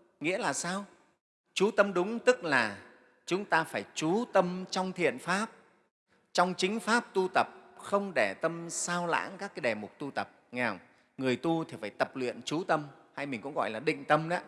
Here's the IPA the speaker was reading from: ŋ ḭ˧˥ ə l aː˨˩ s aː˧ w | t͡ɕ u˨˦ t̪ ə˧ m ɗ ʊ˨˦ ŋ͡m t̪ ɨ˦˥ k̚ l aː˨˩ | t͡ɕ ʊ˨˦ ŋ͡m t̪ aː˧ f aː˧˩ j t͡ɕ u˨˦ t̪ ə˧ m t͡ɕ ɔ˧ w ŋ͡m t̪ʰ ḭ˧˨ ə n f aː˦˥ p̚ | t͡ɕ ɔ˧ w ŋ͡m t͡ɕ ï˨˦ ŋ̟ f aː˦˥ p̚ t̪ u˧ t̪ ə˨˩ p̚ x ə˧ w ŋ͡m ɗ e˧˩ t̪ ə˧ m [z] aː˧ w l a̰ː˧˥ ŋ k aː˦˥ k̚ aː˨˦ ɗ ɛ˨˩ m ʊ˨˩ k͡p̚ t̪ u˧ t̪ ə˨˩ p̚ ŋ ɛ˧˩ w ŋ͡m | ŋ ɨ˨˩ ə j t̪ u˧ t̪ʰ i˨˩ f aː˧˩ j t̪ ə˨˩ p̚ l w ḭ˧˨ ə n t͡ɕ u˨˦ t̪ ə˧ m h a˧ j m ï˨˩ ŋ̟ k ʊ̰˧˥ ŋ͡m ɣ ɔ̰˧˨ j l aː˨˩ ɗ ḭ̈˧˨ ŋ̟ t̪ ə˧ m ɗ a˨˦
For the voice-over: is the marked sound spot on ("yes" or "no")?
no